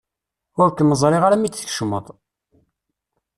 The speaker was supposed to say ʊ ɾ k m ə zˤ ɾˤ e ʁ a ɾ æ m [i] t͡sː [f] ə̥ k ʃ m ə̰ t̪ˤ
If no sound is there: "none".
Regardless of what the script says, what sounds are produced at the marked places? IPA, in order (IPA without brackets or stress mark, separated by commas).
i, θ